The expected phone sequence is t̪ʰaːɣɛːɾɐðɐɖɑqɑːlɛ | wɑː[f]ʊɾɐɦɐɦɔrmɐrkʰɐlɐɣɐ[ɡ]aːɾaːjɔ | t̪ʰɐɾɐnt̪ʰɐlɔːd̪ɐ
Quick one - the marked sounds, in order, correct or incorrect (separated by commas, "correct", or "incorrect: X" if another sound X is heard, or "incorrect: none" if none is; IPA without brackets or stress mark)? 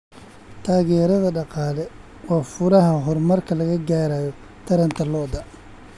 correct, correct